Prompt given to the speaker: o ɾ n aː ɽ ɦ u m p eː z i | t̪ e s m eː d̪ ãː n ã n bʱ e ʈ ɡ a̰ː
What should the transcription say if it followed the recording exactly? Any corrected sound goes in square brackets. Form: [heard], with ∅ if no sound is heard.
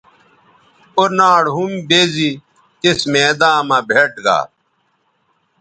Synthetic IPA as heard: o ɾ n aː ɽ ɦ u m [b] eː z i | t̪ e s m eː d̪ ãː [m] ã [∅] bʱ e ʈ ɡ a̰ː